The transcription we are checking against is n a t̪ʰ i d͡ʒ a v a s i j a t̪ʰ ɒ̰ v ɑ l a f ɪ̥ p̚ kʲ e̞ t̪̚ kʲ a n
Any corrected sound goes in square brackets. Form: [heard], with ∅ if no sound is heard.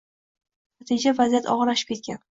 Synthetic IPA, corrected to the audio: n a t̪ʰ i d͡ʒ a v a [z] i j a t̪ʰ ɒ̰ [ʁ] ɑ l a [ʃ] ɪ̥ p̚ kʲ e̞ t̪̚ kʲ a n